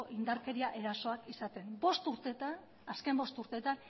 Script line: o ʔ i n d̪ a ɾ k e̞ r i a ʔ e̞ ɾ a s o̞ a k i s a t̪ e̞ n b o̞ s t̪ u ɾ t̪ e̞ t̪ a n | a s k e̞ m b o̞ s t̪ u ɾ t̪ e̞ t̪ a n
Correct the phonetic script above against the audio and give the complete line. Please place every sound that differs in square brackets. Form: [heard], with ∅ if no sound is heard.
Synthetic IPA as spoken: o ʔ i n d̪ a ɾ k e̞ [ɾ] i a ʔ e̞ ɾ a s o̞ a k i s a t̪ e̞ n b o̞ s t̪ u ɾ t̪ e̞ t̪ a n | a s k e̞ m b o̞ s t̪ u ɾ t̪ e̞ t̪ a n

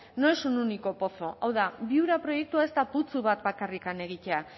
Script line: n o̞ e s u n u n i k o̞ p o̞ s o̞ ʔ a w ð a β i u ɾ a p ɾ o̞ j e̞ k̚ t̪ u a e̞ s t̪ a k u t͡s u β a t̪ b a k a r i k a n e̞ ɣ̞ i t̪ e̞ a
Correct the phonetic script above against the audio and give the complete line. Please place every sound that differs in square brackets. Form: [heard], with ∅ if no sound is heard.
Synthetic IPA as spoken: n o̞ e s u n u n i k o̞ p o̞ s o̞ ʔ a w ð a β i u ɾ a p ɾ o̞ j e̞ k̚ t̪ u a e̞ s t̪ a [p] u t͡s u β a t̪ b a k a r i k a n e̞ ɣ̞ i t̪ e̞ a

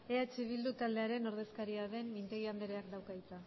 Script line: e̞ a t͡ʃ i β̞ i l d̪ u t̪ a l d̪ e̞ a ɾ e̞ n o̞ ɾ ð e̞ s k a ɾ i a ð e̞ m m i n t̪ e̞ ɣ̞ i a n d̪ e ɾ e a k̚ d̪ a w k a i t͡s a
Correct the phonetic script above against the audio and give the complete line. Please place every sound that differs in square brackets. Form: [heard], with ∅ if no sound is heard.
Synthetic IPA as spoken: e̞ a t͡ʃ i β̞ i l d̪ u t̪ a l d̪ e̞ a ɾ e̞ n o̞ ɾ ð e̞ s k a ɾ i a ð e̞ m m i n t̪ e̞ ɣ̞ i a n d̪ e ɾ e a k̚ d̪ a w k a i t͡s a

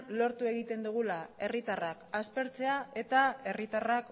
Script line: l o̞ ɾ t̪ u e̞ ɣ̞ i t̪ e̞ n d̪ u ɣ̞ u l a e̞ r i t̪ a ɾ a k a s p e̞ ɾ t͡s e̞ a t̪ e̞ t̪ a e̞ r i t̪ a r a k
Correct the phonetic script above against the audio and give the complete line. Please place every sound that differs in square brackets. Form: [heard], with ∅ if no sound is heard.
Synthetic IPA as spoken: l o̞ ɾ t̪ u e̞ ɣ̞ i t̪ e̞ n d̪ u ɣ̞ u l a e̞ r i t̪ a [r] a k a s p e̞ ɾ t͡s e̞ a [∅] e̞ t̪ a e̞ r i t̪ a r a k

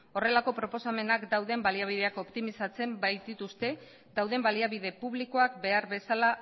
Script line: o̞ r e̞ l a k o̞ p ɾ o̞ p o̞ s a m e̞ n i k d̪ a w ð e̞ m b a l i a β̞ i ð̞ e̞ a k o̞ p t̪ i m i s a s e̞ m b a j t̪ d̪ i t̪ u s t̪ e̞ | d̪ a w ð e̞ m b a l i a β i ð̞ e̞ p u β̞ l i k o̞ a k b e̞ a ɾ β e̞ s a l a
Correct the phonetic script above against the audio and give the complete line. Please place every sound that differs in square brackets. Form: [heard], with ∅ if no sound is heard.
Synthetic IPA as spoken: o̞ r e̞ l a k o̞ p ɾ o̞ p o̞ s a m e̞ n [a] k d̪ a w ð e̞ m b a l i a β̞ i ð̞ e̞ a k o̞ p t̪ i m i s a [t͡s] e̞ m b a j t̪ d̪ i t̪ u s t̪ e̞ | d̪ a w ð e̞ m b a l i a β i ð̞ e̞ p u β̞ l i k o̞ a k b e̞ a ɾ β e̞ s a l a

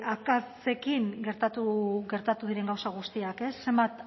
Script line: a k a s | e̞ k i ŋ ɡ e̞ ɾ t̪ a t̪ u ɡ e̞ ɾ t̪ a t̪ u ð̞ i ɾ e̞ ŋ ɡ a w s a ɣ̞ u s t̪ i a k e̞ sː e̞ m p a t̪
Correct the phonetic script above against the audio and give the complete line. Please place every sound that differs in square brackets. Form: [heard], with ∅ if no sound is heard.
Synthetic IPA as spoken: a k a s | e̞ k i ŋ ɡ e̞ ɾ t̪ a t̪ u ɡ e̞ ɾ t̪ a t̪ u ð̞ i ɾ e̞ ŋ ɡ a w s a ɣ̞ u s t̪ i a k e̞ sː e̞ m [b] a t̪

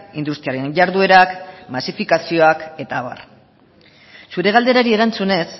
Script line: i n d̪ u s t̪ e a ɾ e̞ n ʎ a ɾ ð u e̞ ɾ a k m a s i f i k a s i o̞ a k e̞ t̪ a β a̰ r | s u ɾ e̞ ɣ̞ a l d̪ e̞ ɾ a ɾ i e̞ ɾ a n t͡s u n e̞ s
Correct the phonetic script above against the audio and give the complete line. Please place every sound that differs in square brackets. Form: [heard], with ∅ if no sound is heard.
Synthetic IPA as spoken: i n d̪ u s t̪ [i] a ɾ e̞ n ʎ a ɾ ð u e̞ ɾ a k m a s i f i k a s i o̞ a k e̞ t̪ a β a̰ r | s u ɾ e̞ ɣ̞ a l d̪ e̞ ɾ a ɾ i e̞ ɾ a n t͡s u n e̞ s

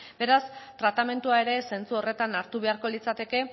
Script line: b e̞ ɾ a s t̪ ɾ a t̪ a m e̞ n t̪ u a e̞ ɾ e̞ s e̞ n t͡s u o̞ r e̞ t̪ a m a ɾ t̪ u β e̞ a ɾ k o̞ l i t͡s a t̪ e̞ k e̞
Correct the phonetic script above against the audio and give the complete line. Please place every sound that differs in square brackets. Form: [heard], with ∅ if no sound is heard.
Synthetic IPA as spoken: b e̞ ɾ a s t̪ ɾ a t̪ a m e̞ n t̪ u a e̞ ɾ e̞ s e̞ n t͡s u o̞ r e̞ t̪ a [n] a ɾ t̪ u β e̞ a ɾ k o̞ l i t͡s a t̪ e̞ k e̞

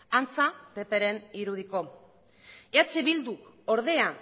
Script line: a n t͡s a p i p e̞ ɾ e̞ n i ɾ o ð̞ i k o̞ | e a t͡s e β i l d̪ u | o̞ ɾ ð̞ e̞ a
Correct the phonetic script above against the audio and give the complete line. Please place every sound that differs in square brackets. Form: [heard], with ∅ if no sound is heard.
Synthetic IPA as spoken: a n t͡s a p [e] p e̞ ɾ e̞ n i ɾ [u] ð̞ i k o̞ | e a t͡s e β i l d̪ u | o̞ ɾ ð̞ e̞ a

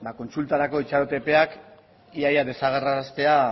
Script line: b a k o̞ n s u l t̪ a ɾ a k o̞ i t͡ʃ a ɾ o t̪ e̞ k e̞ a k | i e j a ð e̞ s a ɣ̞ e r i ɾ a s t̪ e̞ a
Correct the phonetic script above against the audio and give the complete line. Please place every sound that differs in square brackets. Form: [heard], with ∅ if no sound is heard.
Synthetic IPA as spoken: b a k o̞ n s u l t̪ a ɾ a k o̞ i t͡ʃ a ɾ o t̪ e̞ [p] e̞ a k | i [a] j a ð e̞ s a ɣ̞ e r [a] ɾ a s t̪ e̞ a

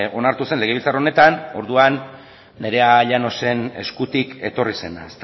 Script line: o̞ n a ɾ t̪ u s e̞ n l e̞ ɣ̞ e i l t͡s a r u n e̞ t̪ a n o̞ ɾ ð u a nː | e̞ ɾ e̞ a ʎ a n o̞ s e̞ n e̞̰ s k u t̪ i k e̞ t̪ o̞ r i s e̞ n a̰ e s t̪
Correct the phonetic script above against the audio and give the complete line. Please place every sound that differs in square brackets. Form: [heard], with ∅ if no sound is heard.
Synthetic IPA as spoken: o̞ n a ɾ t̪ u s e̞ n l e̞ ɣ̞ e i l t͡s a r [o] n e̞ t̪ a n o̞ ɾ ð u a nː | e̞ ɾ e̞ a ʎ a n o̞ s e̞ n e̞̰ s k u t̪ i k e̞ t̪ o̞ r i s e̞ n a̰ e s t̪

